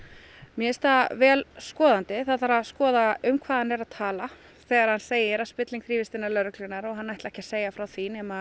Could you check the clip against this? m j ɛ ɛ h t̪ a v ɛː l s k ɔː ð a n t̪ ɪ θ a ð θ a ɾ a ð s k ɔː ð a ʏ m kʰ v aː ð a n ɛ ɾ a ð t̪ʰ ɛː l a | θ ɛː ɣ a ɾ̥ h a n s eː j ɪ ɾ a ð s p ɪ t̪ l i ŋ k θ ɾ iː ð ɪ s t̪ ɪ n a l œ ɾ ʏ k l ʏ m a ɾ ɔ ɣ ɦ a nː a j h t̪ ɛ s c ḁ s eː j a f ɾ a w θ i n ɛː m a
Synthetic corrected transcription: m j ɛ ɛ s t̪ a v ɛː l s k ɔː ð a n t̪ ɪ θ a ð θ a ɾ a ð s k ɔː ð a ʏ m kʰ v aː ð a n ɛ ɾ a ð t̪ʰ aː l a | θ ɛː ɣ a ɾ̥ h a n s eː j ɪ ɾ a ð s p ɪ t̪ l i ŋ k θ ɾ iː v ɪ s t̪ ɪ n a l œ ɾ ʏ k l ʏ n a ɾ ɔ ɣ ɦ a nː a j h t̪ ɛ h c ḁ s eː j a f ɾ a w θ i n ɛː m a